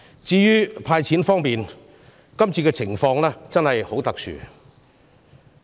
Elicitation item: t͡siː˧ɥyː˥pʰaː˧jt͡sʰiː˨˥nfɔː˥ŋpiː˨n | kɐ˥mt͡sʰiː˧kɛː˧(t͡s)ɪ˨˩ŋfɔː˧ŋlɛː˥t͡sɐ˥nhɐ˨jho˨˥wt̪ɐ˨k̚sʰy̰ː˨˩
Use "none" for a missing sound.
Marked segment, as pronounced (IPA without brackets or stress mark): t͡sʰ